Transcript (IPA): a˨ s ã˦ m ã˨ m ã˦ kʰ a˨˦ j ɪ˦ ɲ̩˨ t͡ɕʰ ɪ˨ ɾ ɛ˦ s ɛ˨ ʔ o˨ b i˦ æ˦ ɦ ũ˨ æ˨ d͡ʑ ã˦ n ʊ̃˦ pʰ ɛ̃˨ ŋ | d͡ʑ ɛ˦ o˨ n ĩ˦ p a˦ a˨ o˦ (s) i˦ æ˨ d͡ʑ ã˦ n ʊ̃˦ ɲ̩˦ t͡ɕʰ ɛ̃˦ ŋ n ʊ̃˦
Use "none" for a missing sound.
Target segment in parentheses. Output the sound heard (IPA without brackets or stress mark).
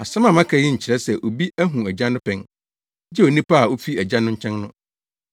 f